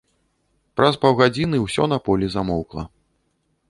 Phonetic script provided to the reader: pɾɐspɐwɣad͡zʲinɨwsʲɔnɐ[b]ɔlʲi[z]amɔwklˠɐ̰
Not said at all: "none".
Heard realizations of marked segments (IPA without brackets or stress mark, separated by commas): p, z